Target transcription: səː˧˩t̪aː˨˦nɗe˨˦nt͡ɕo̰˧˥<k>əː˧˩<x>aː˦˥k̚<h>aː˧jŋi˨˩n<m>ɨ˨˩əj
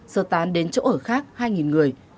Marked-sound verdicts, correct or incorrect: incorrect: ʔ, correct, correct, incorrect: ŋ

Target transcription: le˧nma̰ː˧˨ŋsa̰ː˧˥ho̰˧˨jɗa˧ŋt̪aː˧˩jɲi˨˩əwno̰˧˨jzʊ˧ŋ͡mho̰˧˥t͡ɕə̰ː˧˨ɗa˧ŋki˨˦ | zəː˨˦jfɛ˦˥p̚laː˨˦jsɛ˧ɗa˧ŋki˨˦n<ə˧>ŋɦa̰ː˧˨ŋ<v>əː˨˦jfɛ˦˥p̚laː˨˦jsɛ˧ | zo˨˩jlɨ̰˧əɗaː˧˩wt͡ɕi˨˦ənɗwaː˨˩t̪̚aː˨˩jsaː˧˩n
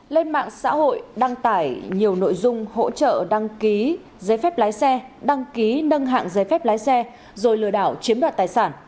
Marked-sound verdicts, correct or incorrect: correct, incorrect: z

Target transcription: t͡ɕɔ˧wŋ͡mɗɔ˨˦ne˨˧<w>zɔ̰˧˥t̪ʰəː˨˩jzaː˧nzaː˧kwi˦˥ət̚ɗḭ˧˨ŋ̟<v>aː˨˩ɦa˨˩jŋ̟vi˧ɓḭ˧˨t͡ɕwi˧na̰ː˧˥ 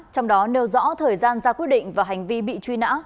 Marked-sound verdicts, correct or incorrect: correct, correct

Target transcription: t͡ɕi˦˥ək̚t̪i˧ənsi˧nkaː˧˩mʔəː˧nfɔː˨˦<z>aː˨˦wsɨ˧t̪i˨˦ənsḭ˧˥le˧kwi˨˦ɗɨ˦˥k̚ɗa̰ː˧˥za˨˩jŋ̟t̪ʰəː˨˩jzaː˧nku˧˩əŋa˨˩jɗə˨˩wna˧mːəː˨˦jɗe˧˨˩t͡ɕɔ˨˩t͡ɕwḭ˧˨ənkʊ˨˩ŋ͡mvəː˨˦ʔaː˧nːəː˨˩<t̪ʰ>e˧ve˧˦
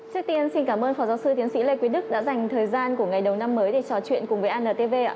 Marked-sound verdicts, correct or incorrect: correct, incorrect: t̪

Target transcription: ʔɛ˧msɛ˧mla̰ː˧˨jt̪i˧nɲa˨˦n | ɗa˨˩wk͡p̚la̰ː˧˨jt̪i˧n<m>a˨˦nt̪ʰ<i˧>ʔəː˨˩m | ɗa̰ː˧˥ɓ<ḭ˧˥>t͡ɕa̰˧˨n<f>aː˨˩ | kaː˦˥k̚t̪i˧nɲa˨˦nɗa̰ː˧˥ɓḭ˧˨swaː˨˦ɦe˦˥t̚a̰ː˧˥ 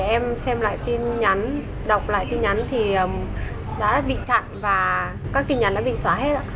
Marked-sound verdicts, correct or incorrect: incorrect: ɲ, incorrect: i˨˩, incorrect: ḭ˧˨, incorrect: v

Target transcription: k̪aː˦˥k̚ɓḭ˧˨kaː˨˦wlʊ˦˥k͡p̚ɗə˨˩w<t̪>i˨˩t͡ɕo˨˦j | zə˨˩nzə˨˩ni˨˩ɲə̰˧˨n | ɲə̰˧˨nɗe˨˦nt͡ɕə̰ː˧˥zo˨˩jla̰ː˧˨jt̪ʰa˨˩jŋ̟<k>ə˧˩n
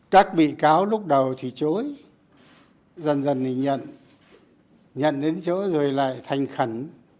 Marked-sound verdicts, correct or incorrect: incorrect: t̪ʰ, incorrect: x

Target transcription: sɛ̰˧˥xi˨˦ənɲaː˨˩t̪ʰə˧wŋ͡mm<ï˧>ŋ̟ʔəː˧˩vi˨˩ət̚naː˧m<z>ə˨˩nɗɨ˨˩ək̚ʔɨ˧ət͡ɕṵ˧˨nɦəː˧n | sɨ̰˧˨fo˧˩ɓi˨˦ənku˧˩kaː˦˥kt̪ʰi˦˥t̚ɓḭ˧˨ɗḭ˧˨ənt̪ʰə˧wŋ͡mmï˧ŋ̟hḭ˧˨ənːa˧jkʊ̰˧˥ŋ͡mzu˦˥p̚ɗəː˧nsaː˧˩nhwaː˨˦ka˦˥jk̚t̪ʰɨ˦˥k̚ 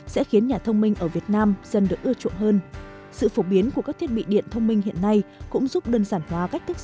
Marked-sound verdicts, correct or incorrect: correct, correct

